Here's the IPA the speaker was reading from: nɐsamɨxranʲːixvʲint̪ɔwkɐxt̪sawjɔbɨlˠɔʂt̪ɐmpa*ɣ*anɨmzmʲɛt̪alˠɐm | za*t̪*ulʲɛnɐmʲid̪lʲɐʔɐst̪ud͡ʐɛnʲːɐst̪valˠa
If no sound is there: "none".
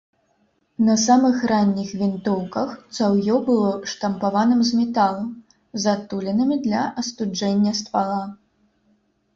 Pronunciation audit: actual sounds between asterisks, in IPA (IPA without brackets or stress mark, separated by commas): v, t̪